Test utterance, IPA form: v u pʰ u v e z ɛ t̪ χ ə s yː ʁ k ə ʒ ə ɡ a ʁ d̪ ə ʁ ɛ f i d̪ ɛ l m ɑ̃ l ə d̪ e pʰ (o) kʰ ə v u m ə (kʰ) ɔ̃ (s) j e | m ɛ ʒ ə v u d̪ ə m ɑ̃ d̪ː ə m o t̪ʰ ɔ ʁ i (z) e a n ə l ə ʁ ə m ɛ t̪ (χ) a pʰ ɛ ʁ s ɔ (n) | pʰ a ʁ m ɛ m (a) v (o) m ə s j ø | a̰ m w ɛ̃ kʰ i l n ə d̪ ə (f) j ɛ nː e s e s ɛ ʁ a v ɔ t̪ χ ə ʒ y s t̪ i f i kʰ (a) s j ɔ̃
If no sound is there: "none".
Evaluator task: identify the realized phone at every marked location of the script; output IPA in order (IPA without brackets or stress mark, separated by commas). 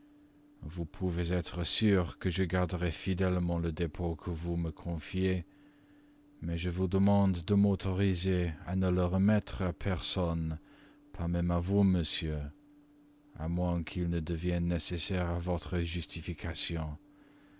o, kʰ, f, z, χ, n, a, u, v, a